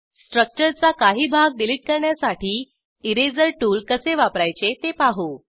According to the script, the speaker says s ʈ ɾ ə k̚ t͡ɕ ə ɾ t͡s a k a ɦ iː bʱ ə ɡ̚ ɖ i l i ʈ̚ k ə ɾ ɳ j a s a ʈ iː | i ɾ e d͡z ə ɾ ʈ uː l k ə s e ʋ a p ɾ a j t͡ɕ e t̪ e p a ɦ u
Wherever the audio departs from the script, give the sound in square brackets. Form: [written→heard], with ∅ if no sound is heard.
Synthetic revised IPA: s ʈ ɾ ə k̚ t͡ɕ ə ɾ t͡s a k a ɦ iː bʱ [ə→a] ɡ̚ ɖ i l i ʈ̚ k ə ɾ ɳ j a s a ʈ iː | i ɾ e d͡z ə ɾ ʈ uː l k ə s e ʋ a p ɾ a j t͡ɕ e t̪ e p a ɦ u